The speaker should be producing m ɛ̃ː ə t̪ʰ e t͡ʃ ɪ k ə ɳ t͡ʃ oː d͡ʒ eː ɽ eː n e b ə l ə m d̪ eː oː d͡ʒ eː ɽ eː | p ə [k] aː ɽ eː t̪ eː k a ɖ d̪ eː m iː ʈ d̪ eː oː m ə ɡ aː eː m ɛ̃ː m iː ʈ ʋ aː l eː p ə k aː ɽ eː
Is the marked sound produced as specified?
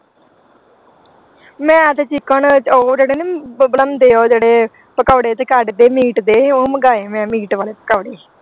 yes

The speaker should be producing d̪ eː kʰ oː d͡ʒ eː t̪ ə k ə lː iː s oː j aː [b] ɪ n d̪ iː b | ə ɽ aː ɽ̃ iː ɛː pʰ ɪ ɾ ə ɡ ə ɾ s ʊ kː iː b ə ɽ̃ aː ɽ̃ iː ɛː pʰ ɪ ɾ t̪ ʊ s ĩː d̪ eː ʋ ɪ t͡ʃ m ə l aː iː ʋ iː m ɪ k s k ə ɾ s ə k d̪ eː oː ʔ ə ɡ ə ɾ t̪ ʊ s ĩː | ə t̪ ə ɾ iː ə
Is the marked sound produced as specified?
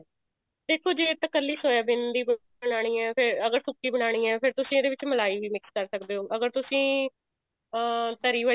yes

